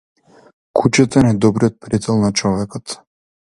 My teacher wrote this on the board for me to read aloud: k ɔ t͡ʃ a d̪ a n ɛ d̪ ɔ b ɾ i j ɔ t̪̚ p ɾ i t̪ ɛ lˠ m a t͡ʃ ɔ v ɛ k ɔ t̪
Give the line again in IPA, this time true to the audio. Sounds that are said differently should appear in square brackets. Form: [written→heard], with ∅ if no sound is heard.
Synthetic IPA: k [ɔ→u] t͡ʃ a [d̪→t̪] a n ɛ d̪ ɔ b ɾ i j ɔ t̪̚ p ɾ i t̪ ɛ lˠ [m→n] a t͡ʃ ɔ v ɛ k ɔ t̪